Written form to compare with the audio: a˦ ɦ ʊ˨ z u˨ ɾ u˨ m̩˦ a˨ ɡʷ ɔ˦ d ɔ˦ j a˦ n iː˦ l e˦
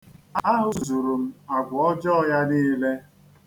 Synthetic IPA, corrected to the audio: a˦ ɦ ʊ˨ z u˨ ɾ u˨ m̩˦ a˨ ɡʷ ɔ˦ d͡ʒ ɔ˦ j a˦ n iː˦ l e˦